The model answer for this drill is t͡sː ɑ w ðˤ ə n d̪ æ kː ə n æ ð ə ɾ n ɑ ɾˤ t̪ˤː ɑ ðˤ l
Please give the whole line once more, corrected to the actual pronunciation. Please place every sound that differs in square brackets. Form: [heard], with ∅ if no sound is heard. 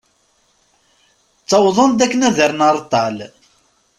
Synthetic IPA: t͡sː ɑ w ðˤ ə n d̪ æ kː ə n æ ð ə ɾ n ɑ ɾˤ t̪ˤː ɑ [∅] l